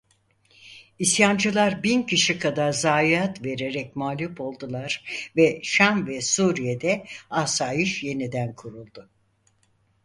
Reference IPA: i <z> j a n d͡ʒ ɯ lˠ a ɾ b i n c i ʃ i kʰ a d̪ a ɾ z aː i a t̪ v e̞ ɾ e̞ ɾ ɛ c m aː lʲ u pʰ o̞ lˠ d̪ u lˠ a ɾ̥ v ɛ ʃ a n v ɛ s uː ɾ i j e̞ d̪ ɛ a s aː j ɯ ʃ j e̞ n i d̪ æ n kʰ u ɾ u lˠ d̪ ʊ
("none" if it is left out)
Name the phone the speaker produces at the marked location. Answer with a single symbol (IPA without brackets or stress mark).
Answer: s